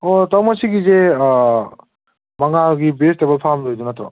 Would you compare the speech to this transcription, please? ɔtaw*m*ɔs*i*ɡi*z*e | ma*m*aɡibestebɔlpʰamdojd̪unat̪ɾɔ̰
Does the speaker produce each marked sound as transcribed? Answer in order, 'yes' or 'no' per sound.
yes, yes, yes, no

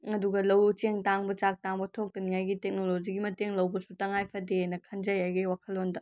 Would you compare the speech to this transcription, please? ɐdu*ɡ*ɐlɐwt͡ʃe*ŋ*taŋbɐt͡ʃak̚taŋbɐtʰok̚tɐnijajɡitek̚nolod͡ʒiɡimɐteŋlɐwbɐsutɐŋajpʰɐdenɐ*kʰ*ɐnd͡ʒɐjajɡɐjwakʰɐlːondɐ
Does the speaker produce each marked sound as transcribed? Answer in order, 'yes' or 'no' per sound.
yes, yes, yes

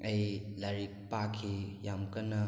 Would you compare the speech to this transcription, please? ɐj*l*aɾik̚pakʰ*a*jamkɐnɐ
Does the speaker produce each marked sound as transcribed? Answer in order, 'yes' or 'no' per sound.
yes, no

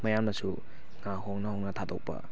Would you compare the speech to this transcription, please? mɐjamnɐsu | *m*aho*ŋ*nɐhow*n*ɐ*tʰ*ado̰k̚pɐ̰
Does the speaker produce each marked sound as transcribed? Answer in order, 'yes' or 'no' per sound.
no, yes, yes, yes

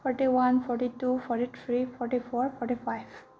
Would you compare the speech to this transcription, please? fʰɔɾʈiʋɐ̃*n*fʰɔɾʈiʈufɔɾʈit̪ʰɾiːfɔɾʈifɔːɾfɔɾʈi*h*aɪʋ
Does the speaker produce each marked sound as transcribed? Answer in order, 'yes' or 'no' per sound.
yes, no

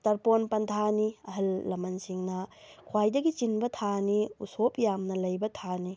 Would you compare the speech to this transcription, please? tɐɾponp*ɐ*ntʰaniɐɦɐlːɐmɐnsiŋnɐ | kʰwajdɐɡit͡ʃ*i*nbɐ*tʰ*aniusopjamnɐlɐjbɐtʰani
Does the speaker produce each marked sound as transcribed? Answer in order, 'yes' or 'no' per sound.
yes, yes, yes

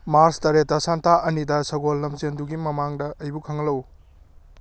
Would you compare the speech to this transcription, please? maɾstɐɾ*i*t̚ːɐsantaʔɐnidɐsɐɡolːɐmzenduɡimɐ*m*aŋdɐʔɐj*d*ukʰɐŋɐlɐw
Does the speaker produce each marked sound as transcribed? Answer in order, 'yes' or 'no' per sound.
no, yes, no

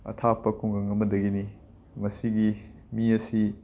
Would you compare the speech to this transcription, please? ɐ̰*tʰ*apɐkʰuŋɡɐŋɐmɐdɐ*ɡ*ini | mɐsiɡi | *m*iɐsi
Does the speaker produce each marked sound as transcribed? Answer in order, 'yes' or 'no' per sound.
yes, yes, yes

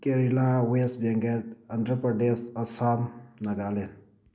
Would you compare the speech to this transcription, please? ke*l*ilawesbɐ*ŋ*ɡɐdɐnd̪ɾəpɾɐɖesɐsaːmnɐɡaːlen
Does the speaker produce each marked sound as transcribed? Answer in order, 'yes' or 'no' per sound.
no, yes

